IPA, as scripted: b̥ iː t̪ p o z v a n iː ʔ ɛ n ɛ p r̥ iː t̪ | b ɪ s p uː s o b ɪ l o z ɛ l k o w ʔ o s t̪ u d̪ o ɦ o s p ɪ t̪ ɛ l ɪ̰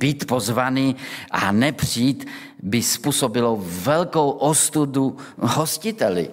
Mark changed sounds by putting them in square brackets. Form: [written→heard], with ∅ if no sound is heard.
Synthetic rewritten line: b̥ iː t̪ p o z v a n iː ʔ [ɛ→a] n ɛ p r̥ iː t̪ | b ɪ s p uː s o b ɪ l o [z→v] ɛ l k o w ʔ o s t̪ u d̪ [o→u] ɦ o s [p→c] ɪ t̪ ɛ l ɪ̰